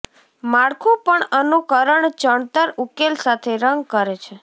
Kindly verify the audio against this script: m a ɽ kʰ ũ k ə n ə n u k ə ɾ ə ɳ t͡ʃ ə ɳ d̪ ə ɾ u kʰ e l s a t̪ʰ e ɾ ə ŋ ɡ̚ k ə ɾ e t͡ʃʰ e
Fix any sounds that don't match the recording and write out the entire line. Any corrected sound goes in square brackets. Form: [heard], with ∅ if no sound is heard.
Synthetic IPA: m a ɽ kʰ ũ [p] ə [ɳ] ə n u k ə ɾ ə ɳ t͡ʃ ə ɳ [t̪] ə ɾ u [k] e l s a t̪ʰ e ɾ ə ŋ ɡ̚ k ə ɾ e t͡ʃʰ e